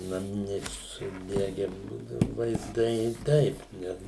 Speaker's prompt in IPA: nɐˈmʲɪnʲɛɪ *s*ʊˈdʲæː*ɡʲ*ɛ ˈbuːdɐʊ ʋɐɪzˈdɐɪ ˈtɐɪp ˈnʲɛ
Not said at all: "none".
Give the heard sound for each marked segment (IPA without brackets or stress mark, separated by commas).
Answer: s, ɡʲ